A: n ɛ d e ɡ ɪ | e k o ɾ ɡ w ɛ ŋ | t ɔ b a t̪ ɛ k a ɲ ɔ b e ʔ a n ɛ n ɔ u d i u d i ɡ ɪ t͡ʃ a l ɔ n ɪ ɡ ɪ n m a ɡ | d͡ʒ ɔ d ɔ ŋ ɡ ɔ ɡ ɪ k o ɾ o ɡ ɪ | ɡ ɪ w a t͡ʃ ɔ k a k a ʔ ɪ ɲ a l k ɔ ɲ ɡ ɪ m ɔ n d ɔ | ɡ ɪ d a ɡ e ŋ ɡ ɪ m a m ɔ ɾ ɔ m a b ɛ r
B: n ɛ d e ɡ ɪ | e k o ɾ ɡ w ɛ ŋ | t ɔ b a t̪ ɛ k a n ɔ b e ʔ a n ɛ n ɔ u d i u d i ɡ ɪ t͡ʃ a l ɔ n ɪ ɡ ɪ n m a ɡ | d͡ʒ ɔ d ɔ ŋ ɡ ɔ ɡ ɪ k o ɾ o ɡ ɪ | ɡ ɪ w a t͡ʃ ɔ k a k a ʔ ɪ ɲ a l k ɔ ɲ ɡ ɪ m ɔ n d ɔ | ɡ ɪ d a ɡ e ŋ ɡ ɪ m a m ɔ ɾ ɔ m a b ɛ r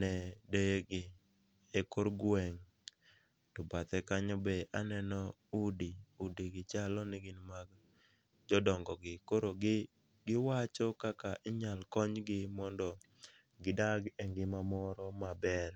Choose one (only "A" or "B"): A